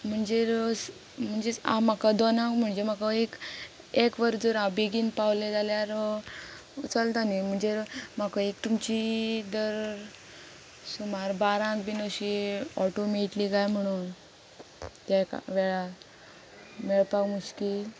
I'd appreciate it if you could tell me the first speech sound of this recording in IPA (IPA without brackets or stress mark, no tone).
m̤